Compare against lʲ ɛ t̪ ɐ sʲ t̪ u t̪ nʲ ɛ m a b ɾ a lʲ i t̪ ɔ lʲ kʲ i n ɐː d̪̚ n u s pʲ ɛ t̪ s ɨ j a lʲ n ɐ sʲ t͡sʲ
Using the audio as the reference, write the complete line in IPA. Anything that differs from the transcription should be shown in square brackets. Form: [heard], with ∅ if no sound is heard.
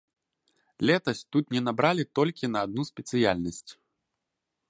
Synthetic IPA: lʲ ɛ t̪ ɐ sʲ t̪ u t̪ nʲ ɛ [n] a b ɾ a lʲ i t̪ ɔ lʲ kʲ i n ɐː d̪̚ n u s pʲ ɛ t̪ s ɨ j a lʲ n ɐ sʲ t͡sʲ